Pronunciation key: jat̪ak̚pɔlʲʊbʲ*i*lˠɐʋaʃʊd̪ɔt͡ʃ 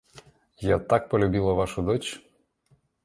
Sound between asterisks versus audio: correct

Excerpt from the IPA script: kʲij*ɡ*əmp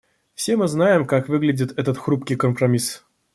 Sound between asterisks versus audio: incorrect: k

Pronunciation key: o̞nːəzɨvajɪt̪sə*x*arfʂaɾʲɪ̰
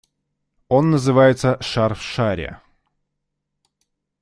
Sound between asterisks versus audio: incorrect: ʂ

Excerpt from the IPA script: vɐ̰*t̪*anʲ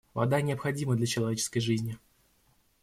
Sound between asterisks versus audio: incorrect: d̪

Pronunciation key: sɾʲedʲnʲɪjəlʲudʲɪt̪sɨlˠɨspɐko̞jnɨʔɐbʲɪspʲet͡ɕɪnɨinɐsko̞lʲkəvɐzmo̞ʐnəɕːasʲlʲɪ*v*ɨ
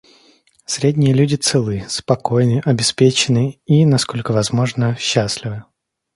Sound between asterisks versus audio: correct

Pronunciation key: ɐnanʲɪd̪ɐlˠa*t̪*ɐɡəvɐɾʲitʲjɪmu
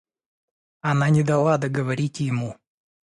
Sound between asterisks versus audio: incorrect: d̪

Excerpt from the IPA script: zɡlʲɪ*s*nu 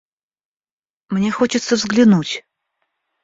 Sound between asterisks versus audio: incorrect: none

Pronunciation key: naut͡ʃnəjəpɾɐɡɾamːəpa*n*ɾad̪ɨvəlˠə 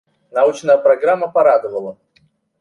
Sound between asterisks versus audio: incorrect: none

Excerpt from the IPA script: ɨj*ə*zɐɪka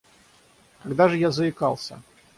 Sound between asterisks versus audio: incorrect: a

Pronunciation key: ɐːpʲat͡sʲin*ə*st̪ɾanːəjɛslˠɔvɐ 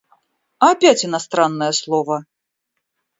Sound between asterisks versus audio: incorrect: a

